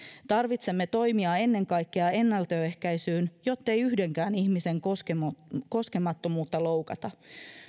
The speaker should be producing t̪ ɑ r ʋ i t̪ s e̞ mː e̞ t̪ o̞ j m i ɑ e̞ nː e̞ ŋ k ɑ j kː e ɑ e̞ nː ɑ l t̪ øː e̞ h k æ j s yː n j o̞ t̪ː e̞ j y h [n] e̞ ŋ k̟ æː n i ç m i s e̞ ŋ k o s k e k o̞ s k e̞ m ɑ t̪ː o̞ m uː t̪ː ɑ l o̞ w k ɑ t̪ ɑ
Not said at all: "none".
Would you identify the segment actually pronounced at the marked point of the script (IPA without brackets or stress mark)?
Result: d